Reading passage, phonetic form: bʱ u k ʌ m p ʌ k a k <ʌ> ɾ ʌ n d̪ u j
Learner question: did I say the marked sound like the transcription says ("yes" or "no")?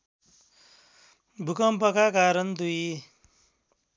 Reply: no